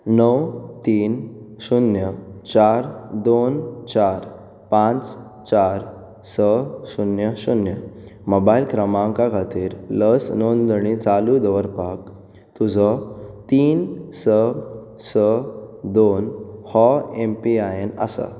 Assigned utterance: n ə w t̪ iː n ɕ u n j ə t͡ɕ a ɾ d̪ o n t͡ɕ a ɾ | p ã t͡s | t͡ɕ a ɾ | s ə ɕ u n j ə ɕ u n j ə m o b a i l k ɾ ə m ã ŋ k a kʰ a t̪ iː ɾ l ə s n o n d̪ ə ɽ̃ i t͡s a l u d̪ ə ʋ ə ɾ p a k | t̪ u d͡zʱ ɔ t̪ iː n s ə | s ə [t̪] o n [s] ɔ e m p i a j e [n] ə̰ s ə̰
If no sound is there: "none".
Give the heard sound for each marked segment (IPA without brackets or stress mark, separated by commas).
d̪, h, n